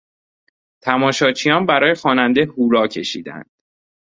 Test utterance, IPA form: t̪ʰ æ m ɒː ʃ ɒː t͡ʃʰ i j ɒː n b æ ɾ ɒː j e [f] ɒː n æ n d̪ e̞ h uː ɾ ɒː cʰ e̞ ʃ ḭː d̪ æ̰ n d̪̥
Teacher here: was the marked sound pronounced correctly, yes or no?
no